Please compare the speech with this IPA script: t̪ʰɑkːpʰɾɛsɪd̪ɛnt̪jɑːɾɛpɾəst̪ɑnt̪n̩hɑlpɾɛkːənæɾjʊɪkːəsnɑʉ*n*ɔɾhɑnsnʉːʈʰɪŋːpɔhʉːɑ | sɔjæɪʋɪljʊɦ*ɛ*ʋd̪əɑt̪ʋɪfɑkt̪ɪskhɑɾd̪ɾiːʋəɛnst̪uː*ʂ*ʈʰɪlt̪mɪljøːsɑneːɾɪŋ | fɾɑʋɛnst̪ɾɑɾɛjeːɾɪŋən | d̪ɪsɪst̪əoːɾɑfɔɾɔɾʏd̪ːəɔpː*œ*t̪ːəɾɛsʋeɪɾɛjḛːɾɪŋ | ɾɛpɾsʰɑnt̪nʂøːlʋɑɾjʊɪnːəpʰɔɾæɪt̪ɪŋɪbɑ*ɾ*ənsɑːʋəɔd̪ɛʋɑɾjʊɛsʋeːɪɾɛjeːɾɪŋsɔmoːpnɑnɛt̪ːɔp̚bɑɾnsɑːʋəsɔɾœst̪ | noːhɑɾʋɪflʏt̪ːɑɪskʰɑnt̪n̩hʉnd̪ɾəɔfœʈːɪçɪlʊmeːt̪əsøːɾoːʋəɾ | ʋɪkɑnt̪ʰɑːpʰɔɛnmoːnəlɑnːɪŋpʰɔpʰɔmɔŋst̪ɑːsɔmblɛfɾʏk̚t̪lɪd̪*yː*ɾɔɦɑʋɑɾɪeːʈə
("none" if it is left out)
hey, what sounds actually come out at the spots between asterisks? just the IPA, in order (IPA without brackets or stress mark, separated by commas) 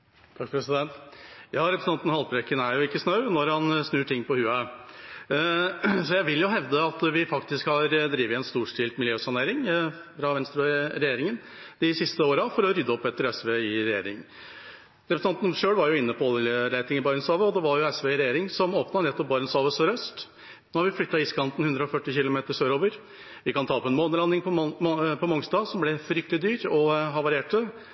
n, ɛ, ʂ, ɛ, ɾ, yː